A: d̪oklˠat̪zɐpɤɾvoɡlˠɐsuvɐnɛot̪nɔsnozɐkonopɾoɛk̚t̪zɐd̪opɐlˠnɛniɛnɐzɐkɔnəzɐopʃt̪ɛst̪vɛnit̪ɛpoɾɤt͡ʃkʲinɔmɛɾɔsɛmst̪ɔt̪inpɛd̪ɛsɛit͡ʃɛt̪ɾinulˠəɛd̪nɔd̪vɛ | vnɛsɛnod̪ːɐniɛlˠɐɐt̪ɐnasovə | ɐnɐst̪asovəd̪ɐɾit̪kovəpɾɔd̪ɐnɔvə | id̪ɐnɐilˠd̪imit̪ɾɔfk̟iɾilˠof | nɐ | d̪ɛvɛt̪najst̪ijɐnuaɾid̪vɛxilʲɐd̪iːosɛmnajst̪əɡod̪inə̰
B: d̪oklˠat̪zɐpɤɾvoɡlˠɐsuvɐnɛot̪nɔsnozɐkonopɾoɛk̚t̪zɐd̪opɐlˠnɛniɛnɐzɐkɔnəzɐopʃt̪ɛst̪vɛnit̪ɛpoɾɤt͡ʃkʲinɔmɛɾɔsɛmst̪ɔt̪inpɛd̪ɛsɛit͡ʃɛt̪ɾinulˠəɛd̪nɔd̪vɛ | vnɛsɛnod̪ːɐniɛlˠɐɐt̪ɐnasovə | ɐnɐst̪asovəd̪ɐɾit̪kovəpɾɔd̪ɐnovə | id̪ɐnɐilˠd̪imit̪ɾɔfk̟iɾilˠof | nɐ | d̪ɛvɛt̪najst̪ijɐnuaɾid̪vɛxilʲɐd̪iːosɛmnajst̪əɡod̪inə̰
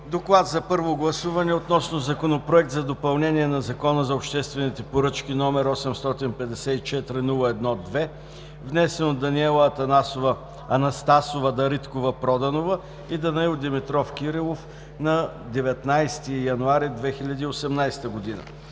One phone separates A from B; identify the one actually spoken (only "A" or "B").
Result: B